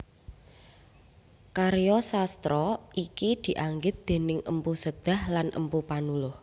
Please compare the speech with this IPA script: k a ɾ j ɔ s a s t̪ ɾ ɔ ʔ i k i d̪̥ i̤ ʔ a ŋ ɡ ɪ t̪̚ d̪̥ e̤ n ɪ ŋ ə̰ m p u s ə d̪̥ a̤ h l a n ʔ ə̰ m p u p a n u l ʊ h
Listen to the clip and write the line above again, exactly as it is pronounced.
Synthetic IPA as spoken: k a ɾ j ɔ s a s t̪ ɾ ɔ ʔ i k i d̪̥ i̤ ʔ a ŋ ɡ ɪ t̪̚ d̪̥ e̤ n ɪ ŋ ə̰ m p u s ə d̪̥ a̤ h l a n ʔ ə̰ m p u p a n u l ʊ h